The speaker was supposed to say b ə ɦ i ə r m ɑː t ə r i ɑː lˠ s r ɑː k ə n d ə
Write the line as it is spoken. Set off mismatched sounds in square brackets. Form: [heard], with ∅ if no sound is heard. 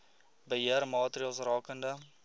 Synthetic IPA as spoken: b ə ɦ i ə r m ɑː t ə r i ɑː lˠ s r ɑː k ə n d ə